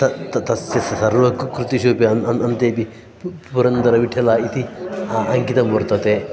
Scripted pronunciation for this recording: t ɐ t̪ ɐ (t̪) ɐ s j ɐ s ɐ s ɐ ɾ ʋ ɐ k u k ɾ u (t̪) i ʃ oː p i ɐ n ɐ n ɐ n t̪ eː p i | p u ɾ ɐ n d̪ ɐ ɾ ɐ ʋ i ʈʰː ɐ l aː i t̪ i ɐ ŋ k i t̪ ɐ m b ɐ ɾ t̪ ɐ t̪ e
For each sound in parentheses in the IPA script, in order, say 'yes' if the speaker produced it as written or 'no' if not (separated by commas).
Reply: yes, yes